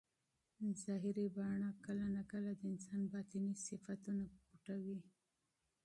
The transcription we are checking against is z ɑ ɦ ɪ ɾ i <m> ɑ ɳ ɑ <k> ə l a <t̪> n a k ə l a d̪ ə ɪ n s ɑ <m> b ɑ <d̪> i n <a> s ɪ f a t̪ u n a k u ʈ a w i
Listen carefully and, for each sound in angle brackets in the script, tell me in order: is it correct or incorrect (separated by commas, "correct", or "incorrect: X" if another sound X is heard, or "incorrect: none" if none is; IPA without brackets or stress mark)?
incorrect: b, correct, incorrect: none, incorrect: n, incorrect: t̪, incorrect: i